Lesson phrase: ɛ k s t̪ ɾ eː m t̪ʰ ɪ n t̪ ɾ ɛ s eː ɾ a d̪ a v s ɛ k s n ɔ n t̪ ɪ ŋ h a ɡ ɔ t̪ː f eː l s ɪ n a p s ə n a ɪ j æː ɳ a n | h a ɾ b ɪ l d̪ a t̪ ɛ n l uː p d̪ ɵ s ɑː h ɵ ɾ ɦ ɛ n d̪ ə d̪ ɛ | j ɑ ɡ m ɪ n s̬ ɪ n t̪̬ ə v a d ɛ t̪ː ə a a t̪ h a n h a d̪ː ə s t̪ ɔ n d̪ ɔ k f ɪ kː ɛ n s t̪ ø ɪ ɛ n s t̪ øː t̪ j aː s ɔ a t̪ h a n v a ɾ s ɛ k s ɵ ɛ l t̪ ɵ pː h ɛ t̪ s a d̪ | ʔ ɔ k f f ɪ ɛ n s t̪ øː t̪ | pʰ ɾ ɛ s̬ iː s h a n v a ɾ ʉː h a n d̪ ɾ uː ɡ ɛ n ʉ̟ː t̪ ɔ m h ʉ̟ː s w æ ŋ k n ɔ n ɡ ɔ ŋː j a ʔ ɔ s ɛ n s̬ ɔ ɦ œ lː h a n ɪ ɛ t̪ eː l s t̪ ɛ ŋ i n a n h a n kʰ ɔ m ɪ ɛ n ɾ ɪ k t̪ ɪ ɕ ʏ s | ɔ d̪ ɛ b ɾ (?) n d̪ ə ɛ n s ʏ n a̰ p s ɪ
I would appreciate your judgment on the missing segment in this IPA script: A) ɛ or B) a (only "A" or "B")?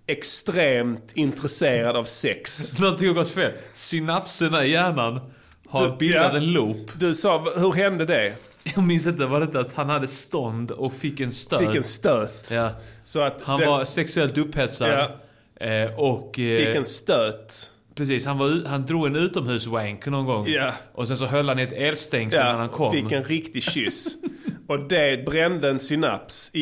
A